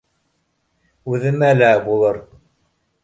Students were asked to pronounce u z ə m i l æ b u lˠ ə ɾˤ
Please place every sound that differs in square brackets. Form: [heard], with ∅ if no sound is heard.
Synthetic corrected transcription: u [ð] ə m [æ] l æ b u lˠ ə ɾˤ